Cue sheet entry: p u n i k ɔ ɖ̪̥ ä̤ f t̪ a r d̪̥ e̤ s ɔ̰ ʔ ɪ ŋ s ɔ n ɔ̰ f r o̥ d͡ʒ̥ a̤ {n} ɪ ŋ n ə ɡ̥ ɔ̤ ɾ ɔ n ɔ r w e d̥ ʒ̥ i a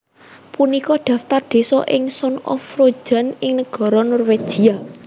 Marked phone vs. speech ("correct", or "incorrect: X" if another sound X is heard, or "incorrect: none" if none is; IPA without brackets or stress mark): correct